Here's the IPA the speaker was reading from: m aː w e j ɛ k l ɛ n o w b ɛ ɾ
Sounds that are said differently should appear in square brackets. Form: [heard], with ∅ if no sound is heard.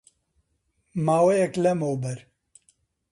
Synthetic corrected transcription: m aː w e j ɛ k l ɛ [m] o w b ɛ ɾ

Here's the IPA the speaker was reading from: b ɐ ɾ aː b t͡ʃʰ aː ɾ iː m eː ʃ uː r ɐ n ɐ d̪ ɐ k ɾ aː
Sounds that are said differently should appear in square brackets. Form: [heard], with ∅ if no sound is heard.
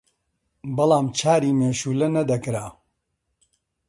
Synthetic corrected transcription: b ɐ [l] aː [m] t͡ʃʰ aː ɾ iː m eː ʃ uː [l] ɐ n ɐ d̪ ɐ k ɾ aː

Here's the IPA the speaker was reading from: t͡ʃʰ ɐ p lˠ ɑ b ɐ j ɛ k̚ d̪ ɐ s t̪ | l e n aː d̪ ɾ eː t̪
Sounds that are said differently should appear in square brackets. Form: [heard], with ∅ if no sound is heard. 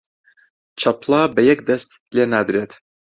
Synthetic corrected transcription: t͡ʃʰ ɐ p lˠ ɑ b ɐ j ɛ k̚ d̪ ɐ s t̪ | l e n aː d̪ ɾ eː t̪

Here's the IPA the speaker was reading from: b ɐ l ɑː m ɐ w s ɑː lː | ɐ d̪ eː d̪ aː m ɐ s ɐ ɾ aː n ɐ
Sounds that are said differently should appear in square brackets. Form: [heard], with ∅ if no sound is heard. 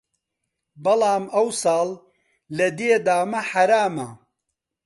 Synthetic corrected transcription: b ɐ l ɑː m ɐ w s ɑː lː | ɐ d̪ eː d̪ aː m ɐ [ħ] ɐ ɾ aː [m] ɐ

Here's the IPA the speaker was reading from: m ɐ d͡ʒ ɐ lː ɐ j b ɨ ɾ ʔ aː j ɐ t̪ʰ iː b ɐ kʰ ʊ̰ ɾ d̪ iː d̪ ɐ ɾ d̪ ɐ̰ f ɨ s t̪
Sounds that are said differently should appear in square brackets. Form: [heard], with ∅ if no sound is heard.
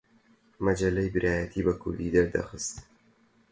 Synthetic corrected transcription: m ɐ d͡ʒ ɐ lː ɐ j b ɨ ɾ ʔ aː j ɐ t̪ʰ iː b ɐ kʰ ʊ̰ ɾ d̪ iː d̪ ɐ ɾ d̪ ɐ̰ [x] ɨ s t̪

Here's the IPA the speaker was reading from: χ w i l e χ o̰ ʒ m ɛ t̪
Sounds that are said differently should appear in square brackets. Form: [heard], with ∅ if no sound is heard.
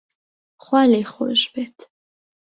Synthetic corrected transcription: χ w [a] l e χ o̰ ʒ [b] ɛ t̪

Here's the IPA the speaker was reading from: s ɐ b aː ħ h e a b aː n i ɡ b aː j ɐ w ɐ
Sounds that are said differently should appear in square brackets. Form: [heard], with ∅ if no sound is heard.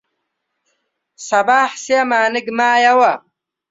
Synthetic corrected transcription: s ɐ b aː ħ [s] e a [m] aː n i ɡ [m] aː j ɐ w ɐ

